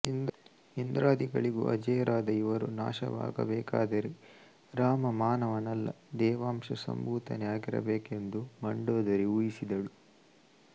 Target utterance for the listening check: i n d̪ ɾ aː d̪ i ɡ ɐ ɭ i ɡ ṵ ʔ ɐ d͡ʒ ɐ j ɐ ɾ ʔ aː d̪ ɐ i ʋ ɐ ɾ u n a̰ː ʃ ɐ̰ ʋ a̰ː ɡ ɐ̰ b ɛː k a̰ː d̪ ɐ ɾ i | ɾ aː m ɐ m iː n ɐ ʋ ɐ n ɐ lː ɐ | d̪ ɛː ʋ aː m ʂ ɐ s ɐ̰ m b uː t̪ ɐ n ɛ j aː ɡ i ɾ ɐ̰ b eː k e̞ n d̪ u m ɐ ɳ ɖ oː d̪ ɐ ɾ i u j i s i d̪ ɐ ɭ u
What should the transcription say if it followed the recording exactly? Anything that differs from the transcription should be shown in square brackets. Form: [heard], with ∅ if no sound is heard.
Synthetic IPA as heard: i n d̪ ɾ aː d̪ i ɡ ɐ ɭ i ɡ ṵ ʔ ɐ d͡ʒ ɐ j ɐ ɾ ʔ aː d̪ ɐ i ʋ ɐ ɾ u n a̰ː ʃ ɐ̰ ʋ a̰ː ɡ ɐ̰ b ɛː k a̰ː d̪ ɐ ɾ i | ɾ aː m ɐ m [aː] n ɐ ʋ ɐ n ɐ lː ɐ | d̪ ɛː ʋ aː m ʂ ɐ s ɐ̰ m b uː t̪ ɐ n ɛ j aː ɡ i ɾ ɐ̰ b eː k e̞ n d̪ u m ɐ ɳ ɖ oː d̪ ɐ ɾ i u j i s i d̪ ɐ ɭ u